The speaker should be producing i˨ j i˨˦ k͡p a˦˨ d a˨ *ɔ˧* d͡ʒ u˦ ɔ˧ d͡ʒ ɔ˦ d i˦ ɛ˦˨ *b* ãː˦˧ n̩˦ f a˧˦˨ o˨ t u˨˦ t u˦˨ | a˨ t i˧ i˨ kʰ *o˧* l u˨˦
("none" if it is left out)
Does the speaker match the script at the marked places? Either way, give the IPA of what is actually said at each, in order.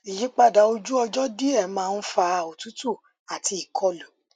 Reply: o˧, m, ɔ˧

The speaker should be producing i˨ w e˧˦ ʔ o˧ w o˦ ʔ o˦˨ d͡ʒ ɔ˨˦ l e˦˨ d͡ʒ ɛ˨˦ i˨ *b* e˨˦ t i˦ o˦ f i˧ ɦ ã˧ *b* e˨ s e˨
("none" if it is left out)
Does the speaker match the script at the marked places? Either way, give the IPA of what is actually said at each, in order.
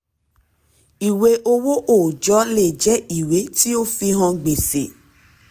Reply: w, ɡ͡b

